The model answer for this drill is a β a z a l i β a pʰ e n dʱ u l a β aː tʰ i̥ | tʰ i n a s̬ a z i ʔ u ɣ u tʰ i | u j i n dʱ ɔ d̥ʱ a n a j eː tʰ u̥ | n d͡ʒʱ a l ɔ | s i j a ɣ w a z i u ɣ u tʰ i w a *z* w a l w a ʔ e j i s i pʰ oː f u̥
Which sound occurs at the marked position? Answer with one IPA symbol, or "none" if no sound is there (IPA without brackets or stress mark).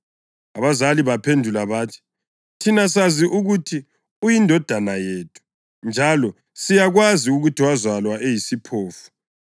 z